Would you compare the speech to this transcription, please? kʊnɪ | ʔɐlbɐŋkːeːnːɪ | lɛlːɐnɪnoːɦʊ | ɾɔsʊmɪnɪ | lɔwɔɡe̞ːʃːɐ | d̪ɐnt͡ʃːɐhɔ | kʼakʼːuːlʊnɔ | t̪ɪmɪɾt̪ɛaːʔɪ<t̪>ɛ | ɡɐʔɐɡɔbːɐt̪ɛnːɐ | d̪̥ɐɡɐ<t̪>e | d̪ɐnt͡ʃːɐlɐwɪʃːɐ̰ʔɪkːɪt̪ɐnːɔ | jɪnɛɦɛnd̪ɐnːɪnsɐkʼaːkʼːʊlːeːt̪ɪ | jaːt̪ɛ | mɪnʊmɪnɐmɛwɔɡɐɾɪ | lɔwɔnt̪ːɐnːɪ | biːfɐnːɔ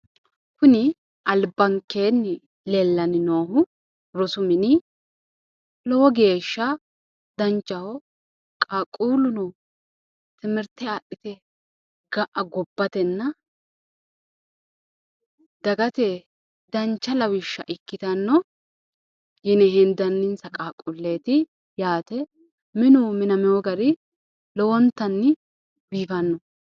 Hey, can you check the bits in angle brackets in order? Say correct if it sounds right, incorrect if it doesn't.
correct, correct

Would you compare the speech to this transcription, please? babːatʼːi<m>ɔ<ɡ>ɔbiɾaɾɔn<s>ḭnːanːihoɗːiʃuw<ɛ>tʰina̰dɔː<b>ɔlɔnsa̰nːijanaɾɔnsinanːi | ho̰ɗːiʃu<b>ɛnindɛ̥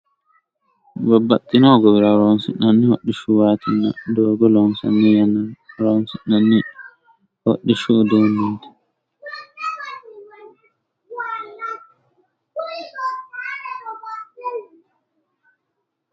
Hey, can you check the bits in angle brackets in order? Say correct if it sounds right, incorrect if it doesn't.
incorrect: n, correct, correct, incorrect: a, incorrect: ɡ, incorrect: d

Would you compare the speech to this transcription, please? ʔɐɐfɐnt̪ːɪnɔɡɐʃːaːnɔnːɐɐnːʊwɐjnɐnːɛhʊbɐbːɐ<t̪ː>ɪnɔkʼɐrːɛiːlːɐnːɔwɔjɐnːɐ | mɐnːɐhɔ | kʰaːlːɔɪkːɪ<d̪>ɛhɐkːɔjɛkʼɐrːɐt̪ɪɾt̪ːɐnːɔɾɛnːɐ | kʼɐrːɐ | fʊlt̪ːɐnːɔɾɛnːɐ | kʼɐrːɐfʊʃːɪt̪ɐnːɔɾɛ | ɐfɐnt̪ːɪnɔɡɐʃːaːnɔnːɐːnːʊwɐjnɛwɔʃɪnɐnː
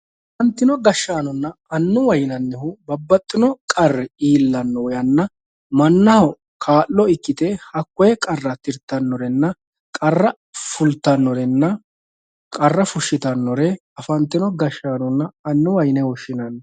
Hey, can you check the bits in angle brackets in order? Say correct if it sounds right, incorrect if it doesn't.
incorrect: t̪ʼː, incorrect: t̪

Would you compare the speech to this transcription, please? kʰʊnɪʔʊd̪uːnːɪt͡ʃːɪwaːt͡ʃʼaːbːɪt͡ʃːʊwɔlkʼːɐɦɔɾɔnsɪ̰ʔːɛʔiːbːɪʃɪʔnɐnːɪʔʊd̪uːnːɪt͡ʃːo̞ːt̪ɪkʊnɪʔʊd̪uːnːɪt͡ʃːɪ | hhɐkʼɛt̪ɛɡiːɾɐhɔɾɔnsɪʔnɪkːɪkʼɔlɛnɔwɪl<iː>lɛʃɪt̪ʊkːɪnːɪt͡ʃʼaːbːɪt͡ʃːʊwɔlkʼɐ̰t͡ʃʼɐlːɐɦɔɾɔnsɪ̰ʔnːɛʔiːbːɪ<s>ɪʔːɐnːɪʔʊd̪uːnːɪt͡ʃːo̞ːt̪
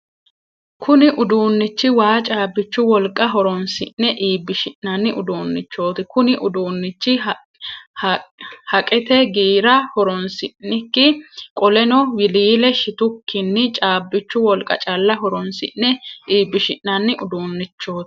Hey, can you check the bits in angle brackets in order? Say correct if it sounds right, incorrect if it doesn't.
correct, incorrect: ʃ

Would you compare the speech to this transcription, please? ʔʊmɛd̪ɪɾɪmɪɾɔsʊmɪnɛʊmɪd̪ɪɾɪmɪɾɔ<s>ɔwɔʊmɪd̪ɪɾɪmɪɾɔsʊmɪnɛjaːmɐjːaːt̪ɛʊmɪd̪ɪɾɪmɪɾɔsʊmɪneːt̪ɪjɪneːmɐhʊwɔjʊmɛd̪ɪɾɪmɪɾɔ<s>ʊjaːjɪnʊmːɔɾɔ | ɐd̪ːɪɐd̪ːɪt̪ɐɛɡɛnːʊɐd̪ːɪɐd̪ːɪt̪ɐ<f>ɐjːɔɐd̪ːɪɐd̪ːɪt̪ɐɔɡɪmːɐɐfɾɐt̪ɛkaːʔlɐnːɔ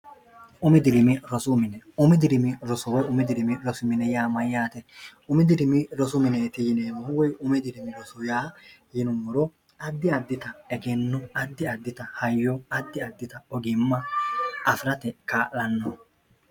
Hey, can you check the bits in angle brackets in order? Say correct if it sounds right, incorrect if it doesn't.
correct, correct, incorrect: h

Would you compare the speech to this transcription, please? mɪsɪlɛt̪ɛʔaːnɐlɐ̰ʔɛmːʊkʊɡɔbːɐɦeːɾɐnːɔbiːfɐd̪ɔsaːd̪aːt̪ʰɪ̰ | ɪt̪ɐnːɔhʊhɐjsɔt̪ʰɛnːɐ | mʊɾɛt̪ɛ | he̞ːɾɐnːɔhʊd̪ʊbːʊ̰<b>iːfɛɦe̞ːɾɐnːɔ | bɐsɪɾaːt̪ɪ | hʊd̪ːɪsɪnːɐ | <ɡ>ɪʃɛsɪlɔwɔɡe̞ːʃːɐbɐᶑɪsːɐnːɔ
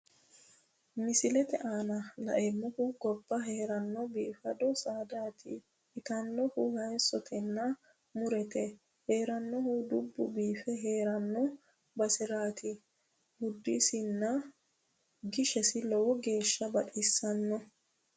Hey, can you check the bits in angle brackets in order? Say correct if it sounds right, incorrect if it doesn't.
correct, correct

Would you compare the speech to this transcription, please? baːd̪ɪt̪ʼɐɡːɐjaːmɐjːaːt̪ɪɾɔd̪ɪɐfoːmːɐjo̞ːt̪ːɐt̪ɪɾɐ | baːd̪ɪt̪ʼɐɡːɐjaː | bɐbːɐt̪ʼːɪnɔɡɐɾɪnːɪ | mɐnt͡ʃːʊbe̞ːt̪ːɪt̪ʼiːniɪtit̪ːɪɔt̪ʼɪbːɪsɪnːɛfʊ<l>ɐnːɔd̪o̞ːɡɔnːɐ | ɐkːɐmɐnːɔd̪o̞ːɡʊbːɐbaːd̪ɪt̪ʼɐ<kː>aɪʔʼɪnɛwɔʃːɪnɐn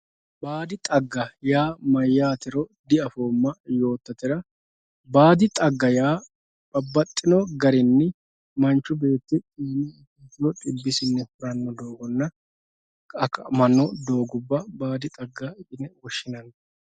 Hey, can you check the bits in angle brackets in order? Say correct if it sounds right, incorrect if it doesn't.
incorrect: ɾ, incorrect: ɡː

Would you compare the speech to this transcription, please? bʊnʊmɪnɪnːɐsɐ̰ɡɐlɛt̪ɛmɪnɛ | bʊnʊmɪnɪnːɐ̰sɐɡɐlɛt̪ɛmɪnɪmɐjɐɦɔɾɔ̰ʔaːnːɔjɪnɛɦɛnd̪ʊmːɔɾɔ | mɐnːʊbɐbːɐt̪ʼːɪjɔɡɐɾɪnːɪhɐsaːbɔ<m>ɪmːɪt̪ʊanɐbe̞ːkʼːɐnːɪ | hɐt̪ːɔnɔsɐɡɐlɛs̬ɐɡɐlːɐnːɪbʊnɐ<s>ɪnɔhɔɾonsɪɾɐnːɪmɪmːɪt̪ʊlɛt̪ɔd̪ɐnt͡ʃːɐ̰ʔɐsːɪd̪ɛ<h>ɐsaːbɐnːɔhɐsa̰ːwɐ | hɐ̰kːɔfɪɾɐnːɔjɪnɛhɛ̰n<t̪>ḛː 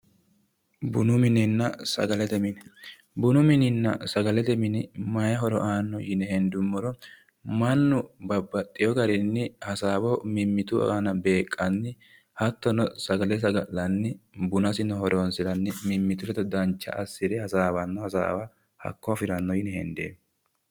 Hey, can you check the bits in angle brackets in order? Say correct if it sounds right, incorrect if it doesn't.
correct, correct, correct, incorrect: d̪

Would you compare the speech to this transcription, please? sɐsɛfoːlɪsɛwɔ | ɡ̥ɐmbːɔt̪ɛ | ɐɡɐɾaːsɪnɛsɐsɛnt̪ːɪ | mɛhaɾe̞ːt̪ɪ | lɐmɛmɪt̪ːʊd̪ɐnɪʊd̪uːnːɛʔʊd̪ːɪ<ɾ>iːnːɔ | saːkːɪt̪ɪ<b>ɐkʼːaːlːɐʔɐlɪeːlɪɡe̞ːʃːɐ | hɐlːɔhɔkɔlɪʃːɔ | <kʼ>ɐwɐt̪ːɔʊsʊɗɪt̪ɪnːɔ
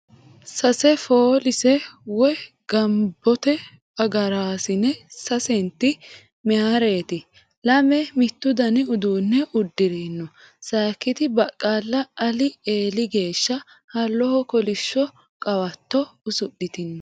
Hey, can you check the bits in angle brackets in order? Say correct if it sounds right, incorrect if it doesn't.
correct, correct, correct

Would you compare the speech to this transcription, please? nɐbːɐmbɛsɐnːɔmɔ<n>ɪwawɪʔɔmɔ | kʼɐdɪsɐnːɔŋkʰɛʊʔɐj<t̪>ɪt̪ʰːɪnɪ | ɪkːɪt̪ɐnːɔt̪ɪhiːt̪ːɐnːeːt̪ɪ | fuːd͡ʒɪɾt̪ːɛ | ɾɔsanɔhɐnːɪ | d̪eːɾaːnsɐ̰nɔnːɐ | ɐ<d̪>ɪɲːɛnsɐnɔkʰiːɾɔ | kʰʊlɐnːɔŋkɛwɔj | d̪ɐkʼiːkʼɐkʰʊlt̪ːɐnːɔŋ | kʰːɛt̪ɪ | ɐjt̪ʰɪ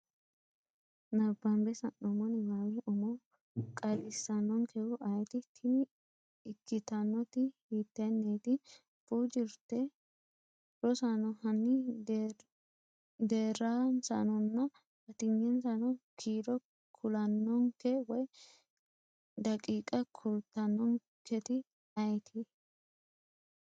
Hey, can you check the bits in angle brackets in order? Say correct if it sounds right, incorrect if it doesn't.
correct, correct, incorrect: t̪

